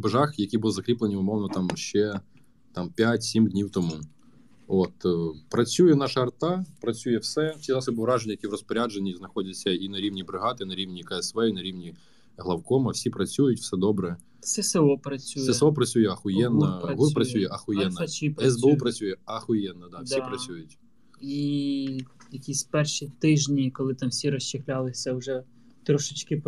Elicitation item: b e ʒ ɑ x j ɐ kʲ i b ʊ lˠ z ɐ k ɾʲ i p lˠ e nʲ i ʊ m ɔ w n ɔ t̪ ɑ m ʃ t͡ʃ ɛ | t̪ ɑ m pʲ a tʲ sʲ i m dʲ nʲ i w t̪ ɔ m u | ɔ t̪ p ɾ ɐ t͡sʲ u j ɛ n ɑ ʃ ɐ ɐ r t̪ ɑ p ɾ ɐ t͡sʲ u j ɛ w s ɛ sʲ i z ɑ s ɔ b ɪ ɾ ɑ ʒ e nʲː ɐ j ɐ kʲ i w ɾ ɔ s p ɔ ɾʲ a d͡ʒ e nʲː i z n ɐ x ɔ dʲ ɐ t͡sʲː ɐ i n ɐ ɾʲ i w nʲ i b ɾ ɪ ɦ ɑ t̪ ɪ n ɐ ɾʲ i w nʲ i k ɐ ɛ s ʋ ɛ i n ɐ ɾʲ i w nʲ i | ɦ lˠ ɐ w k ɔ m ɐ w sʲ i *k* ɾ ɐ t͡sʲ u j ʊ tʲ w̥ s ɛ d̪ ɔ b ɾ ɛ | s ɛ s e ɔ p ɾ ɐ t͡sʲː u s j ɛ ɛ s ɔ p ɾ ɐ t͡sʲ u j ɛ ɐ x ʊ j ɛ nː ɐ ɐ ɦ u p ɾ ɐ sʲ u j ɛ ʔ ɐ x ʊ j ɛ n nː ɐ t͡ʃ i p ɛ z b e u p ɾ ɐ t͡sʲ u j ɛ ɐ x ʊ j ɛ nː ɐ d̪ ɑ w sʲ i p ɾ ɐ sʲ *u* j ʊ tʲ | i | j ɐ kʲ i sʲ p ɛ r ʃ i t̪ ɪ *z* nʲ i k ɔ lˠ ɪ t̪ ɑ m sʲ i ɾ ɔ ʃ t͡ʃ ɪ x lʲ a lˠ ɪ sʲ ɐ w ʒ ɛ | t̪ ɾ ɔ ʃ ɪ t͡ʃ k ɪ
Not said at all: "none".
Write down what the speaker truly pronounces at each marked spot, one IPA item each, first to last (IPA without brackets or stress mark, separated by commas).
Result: p, u, ʒ